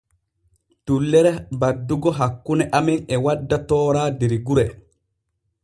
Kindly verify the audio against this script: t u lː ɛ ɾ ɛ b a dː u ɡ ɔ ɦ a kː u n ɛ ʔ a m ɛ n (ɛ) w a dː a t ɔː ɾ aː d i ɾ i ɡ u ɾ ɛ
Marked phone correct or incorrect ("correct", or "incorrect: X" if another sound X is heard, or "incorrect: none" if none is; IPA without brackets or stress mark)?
correct